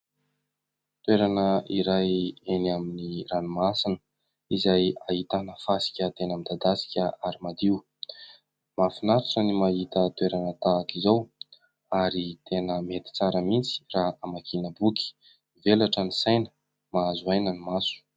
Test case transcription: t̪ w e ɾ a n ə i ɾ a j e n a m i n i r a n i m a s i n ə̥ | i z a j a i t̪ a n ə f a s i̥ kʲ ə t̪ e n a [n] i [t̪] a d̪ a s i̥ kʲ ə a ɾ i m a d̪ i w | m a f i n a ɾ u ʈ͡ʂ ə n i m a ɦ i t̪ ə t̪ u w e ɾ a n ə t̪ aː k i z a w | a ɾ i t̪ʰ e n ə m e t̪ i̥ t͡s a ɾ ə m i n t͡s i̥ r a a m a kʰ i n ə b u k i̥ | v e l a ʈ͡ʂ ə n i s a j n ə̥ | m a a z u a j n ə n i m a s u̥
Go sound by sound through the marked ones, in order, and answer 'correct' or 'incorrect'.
incorrect: m, incorrect: d̪

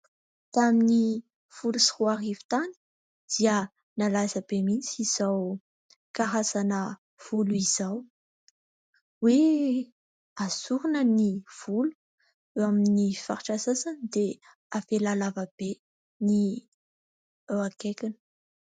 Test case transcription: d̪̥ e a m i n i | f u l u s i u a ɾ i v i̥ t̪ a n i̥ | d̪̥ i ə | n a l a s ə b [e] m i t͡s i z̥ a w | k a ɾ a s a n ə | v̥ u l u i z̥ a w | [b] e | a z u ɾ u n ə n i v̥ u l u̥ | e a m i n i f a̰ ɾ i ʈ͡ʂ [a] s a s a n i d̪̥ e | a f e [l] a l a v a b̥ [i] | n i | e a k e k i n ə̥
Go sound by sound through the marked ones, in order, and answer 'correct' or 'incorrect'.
correct, incorrect: w, correct, correct, incorrect: e

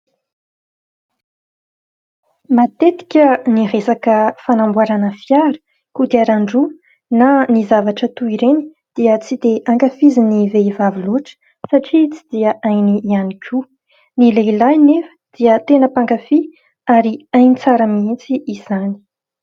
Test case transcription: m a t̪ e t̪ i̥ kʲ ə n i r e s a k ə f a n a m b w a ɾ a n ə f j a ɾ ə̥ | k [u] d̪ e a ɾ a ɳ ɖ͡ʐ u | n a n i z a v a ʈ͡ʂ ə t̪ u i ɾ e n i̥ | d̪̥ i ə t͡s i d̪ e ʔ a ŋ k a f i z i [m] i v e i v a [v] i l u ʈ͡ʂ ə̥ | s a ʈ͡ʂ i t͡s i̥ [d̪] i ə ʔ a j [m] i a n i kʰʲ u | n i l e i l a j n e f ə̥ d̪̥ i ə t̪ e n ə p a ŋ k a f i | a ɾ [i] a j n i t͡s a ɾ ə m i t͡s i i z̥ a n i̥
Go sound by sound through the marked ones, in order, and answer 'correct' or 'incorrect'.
correct, incorrect: n, correct, correct, incorrect: n, correct

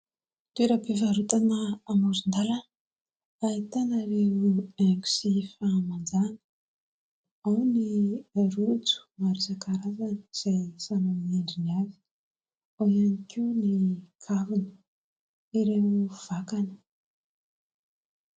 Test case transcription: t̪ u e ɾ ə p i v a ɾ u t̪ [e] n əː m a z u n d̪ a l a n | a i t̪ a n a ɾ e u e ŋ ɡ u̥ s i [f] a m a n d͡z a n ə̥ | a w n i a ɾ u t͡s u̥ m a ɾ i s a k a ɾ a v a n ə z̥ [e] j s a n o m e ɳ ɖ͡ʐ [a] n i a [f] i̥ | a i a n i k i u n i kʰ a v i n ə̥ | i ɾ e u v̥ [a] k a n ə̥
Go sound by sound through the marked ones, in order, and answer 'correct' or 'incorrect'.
incorrect: a, correct, incorrect: a, incorrect: i, incorrect: v, correct

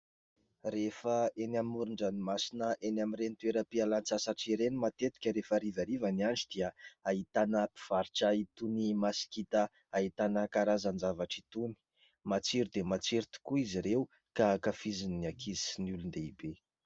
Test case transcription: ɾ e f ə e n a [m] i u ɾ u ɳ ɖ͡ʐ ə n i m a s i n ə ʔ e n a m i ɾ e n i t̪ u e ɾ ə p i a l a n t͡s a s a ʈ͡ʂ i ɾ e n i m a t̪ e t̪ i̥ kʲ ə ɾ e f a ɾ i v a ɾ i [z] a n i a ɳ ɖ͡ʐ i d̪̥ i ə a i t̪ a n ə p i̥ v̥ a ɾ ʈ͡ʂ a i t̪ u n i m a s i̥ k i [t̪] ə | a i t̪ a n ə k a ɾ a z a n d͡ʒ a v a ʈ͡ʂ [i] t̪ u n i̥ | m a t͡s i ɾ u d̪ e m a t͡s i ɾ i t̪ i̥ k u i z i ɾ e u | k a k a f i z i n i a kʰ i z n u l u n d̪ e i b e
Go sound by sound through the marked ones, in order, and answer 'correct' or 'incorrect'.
correct, incorrect: v, correct, correct

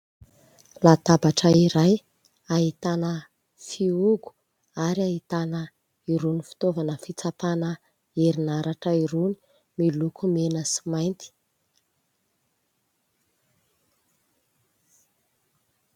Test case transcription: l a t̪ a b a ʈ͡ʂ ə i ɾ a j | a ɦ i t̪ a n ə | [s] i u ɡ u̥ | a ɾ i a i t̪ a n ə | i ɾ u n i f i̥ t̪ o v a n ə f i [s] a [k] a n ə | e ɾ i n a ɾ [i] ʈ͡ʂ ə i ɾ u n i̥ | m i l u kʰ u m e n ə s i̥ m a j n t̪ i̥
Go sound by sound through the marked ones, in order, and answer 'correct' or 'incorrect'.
incorrect: f, incorrect: t͡s, incorrect: p, incorrect: a

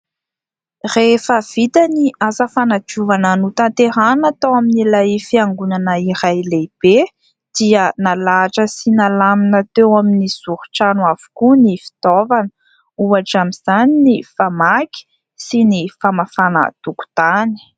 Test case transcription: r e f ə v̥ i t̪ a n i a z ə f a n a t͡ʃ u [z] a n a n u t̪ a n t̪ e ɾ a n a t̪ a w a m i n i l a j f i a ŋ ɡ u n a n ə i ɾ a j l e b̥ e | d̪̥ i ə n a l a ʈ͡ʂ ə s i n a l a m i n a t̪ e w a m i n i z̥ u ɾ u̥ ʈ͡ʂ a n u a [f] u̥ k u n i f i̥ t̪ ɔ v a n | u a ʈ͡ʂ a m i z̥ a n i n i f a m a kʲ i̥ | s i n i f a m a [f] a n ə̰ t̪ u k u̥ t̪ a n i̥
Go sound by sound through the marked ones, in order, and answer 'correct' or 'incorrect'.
incorrect: v, incorrect: v, correct

